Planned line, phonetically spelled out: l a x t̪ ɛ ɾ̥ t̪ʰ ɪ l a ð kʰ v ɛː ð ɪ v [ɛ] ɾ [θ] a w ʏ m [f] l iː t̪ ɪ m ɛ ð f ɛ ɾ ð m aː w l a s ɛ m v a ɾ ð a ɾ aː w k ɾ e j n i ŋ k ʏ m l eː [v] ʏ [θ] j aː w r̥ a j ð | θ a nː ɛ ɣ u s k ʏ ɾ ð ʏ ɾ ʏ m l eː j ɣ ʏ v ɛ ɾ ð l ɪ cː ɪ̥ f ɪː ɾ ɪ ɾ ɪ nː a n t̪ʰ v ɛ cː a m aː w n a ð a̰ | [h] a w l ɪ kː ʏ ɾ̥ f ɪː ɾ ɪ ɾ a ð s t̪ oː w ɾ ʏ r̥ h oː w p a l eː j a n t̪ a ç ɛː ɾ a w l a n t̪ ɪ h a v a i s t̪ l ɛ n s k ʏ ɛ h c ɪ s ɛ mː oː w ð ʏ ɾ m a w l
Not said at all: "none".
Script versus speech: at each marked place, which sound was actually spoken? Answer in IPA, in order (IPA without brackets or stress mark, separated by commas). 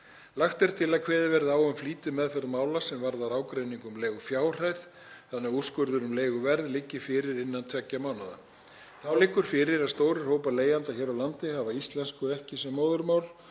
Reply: ɛ, ð, f, ɣ, f, θ